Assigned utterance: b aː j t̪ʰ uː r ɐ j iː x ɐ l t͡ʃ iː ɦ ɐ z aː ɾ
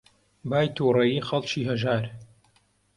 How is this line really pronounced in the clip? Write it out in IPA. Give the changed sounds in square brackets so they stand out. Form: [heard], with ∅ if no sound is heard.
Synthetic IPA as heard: b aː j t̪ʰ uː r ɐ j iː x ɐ l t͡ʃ iː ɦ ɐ [ʒ] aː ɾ